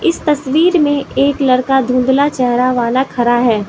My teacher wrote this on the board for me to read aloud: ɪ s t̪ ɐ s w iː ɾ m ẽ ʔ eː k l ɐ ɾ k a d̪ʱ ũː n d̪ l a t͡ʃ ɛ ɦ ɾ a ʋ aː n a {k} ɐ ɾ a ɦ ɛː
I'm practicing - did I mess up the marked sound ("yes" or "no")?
yes